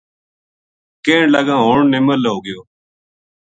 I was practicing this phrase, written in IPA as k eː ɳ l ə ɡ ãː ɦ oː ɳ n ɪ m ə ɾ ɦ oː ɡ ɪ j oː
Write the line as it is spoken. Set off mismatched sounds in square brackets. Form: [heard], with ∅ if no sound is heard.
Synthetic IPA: k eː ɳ l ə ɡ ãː ɦ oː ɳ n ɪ m ə [l] ɦ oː ɡ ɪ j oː

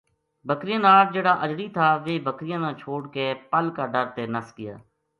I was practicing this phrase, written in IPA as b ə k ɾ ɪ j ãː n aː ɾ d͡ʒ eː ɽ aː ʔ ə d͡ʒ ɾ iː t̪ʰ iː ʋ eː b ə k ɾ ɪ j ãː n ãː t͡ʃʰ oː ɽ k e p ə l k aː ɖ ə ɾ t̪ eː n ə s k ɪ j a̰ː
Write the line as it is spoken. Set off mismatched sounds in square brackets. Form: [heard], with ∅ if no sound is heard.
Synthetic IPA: b ə k ɾ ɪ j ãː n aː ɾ d͡ʒ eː ɽ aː ʔ ə d͡ʒ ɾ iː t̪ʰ [aː] ʋ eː b ə k ɾ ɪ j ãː n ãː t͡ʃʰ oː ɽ k e p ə l k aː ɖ ə ɾ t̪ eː n ə s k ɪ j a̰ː

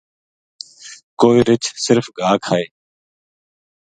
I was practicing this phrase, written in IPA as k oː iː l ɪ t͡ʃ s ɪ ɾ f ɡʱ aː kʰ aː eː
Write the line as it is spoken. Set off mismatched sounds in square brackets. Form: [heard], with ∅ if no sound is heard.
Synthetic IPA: k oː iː [ɾ] ɪ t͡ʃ s ɪ ɾ f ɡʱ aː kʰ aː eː

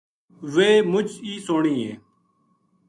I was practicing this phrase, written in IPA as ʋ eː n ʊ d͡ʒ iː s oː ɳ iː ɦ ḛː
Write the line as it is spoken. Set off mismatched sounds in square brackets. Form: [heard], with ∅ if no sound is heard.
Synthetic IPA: ʋ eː [m] ʊ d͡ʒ iː s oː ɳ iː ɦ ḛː

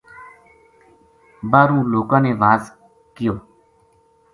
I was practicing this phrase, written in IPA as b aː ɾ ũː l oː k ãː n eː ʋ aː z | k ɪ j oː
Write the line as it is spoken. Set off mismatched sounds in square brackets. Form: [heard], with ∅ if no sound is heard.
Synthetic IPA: b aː ɾ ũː l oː k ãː n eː ʋ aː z | k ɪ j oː

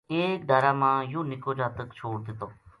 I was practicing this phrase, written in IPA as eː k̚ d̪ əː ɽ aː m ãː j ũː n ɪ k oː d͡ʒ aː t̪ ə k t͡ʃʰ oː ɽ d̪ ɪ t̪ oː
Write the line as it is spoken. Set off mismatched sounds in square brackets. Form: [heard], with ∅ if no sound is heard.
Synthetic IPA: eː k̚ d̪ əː [ɾ] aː m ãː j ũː n ɪ k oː d͡ʒ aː t̪ ə k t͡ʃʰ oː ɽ d̪ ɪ t̪ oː

